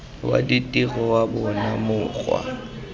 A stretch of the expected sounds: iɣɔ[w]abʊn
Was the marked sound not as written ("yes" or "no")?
no